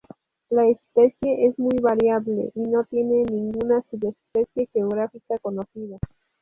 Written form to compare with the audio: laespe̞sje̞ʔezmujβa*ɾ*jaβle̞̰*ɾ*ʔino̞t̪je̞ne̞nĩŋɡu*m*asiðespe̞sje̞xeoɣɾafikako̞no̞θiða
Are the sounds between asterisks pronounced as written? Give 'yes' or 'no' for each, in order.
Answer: yes, no, no

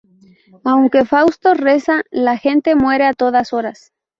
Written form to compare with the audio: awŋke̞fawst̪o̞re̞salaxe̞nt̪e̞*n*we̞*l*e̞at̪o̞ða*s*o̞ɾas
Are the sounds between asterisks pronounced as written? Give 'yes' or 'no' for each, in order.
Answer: no, no, yes

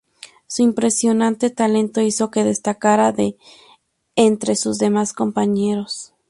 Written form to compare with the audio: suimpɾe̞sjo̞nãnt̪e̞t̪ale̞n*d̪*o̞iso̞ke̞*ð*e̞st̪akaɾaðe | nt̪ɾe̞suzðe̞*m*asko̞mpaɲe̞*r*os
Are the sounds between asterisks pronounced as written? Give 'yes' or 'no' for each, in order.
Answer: no, yes, yes, no

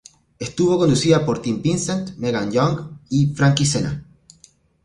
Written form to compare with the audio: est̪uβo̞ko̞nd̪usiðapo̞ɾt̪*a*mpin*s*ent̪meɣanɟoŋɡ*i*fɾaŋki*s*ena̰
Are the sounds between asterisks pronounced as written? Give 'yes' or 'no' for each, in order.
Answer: no, yes, yes, yes

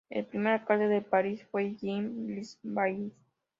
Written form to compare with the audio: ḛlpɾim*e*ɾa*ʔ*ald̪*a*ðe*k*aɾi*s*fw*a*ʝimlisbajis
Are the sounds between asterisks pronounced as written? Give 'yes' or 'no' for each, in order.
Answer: yes, no, no, no, yes, no

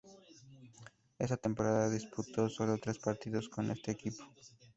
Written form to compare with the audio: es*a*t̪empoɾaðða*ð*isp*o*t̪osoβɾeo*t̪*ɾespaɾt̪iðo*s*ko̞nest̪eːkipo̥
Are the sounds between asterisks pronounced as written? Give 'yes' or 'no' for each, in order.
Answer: yes, yes, no, yes, yes

